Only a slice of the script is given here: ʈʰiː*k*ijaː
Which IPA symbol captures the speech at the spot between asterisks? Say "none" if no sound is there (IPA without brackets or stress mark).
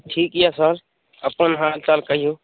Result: k